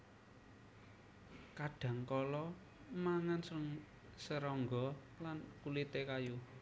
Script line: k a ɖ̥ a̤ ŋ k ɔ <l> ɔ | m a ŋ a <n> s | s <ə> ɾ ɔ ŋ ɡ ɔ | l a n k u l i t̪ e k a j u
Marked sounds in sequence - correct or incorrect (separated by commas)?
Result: correct, correct, correct